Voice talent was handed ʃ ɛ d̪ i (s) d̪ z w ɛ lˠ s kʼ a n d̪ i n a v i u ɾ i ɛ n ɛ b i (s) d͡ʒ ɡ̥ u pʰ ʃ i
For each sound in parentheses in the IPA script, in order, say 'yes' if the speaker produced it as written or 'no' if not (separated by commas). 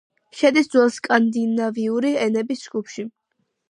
yes, yes